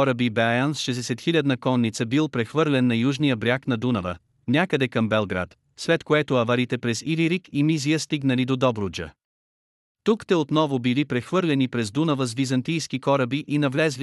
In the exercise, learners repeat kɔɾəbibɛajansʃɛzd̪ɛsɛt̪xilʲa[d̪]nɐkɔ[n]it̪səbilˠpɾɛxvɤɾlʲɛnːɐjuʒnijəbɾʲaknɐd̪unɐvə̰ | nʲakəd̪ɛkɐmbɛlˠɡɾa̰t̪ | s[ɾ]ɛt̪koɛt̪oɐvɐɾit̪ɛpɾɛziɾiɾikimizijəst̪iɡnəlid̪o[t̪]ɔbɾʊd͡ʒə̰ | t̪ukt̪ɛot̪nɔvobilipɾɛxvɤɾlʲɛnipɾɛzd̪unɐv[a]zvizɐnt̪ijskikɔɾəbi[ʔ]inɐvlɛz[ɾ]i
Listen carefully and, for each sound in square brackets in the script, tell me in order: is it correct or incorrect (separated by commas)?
correct, incorrect, incorrect, incorrect, incorrect, correct, incorrect